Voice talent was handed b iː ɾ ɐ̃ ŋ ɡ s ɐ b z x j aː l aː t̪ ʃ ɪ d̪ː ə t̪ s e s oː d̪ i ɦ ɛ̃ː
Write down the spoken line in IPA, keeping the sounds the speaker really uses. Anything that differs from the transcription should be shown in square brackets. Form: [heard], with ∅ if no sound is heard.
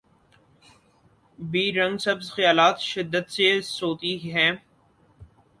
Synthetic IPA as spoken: b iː ɾ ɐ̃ ŋ ɡ s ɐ b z x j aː l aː t̪ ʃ ɪ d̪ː ə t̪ s e s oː [t̪] i ɦ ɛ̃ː